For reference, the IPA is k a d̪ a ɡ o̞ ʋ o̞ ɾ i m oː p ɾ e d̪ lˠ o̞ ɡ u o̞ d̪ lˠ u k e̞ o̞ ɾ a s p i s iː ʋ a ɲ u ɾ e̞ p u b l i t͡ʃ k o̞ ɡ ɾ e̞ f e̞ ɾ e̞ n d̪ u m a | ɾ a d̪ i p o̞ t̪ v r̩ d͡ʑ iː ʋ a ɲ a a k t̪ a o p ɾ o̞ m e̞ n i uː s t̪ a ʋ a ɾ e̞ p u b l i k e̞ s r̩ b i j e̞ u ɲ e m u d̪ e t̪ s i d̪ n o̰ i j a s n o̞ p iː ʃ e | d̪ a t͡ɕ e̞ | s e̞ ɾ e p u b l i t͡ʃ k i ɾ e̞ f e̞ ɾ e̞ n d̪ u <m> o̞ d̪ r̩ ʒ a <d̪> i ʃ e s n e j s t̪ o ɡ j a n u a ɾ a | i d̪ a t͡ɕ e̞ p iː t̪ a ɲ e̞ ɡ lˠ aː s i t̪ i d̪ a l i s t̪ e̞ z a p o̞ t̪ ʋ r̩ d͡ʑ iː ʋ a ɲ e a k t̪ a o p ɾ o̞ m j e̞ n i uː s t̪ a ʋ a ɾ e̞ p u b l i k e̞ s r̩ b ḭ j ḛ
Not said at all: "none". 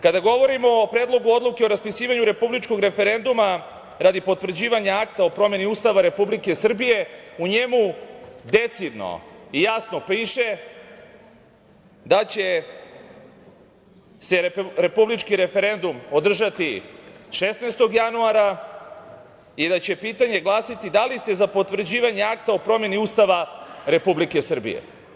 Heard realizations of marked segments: m, t̪

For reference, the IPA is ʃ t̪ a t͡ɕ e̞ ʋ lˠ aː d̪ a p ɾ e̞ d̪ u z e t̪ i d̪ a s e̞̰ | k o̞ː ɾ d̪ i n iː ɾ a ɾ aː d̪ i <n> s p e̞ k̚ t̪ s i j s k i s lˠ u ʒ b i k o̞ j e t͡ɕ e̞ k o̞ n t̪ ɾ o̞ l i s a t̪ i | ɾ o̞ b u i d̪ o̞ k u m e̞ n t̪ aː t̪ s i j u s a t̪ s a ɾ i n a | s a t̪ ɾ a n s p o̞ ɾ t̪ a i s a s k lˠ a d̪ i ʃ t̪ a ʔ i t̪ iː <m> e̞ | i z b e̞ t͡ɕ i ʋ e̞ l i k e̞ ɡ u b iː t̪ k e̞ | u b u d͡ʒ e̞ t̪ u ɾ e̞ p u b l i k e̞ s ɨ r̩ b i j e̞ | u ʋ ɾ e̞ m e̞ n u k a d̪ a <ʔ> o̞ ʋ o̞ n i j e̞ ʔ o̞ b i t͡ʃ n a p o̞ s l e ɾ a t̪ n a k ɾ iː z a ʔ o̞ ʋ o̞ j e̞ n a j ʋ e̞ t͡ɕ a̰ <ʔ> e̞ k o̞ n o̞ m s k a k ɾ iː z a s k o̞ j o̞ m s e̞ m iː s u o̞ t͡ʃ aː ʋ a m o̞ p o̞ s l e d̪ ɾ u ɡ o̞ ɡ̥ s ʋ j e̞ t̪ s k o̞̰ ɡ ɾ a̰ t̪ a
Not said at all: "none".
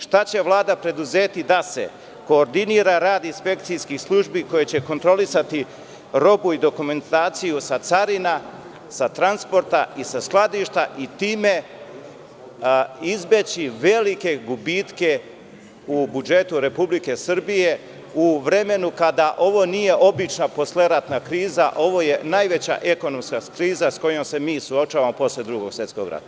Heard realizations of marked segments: n, m, ʔ, ʔ

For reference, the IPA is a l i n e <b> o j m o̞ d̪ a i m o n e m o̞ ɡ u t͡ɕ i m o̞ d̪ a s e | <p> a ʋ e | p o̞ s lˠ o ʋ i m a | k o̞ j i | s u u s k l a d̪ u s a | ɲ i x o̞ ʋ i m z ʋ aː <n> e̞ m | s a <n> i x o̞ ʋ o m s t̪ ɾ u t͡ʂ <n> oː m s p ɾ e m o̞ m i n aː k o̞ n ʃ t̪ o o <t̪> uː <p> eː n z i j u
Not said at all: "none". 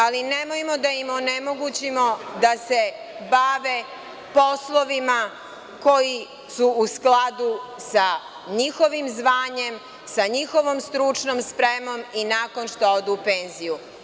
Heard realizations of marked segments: m, b, ɲ, ɲ, n, d̪, p

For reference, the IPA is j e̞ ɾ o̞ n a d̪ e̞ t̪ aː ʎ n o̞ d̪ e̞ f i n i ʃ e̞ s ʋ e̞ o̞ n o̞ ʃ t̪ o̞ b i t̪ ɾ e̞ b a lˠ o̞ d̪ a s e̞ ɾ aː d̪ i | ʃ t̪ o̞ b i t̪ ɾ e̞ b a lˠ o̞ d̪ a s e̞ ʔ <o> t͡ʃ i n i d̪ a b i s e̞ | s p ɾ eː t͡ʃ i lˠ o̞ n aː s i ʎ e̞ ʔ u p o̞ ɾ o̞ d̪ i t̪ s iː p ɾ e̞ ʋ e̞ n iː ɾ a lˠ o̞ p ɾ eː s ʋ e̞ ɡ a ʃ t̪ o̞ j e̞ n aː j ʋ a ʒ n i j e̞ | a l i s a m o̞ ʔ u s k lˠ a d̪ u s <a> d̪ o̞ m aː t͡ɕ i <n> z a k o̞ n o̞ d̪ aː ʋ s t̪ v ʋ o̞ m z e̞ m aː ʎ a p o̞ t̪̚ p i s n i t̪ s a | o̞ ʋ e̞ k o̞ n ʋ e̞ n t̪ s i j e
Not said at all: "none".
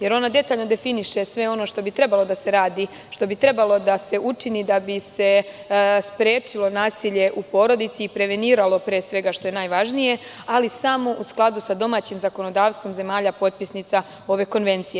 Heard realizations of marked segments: u, a, m

